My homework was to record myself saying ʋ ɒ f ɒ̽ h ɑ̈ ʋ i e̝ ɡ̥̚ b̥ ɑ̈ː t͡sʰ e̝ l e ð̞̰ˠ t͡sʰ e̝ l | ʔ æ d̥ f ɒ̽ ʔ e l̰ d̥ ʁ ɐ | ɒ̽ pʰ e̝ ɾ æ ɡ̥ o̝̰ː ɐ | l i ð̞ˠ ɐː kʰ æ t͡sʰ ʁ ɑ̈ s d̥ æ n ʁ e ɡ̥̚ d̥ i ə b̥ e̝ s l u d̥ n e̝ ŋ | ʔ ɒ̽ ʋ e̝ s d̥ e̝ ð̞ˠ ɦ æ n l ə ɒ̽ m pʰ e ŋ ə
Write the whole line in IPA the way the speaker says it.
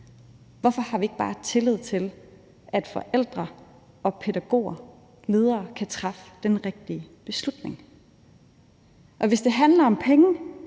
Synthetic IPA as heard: ʋ ɒ f ɒ̽ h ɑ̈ ʋ i e̝ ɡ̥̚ b̥ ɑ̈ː t͡sʰ e̝ l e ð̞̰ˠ t͡sʰ e̝ l | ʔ æ d̥ f ɒ̽ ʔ e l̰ d̥ ʁ ɐ | ɒ̽ pʰ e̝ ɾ æ ɡ̥ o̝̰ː ɐ | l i ð̞ˠ ɐː kʰ æ t͡sʰ ʁ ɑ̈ f d̥ e n ʁ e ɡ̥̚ d̥ i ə b̥ e̝ s l u d̥ n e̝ ŋ | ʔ ɒ̽ ʋ e̝ s d̥ e̝ ɦ æ n l ɐ ɒ̽ m pʰ e ŋ ə